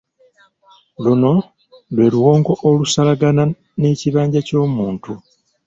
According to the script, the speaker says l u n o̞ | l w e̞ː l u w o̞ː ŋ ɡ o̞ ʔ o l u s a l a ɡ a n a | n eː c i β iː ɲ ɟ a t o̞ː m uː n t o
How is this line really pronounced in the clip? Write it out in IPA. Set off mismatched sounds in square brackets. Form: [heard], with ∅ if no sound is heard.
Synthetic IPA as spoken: l u n o̞ | l w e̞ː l u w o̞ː ŋ ɡ o̞ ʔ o l u s a l a ɡ a n a | n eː c i β [aː] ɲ ɟ a [c] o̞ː m uː n t [u]